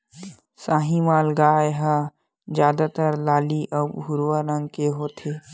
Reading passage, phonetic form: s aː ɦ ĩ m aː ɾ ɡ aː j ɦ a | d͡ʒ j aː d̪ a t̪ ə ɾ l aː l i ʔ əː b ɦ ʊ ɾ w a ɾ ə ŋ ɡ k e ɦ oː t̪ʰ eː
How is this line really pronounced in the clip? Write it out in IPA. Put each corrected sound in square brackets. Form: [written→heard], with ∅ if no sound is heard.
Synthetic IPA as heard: s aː ɦ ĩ m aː [ɾ→l] ɡ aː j ɦ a | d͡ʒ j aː d̪ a t̪ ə ɾ l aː l i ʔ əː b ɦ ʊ ɾ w a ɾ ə ŋ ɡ k e ɦ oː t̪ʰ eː